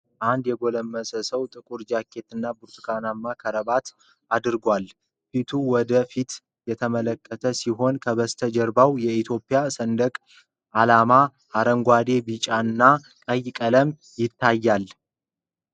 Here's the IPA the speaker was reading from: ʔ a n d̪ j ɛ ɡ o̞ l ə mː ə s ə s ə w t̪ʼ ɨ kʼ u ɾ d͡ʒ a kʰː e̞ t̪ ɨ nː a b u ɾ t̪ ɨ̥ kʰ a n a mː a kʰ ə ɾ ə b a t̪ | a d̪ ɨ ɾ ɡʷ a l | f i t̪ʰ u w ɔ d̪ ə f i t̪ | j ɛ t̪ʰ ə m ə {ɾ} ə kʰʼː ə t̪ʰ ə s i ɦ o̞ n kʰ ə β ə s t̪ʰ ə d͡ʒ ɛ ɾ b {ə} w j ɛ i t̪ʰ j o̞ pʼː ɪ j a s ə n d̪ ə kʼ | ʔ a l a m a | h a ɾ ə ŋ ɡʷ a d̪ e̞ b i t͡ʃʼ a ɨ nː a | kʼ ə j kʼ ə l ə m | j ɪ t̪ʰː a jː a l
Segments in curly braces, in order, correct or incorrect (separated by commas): incorrect, incorrect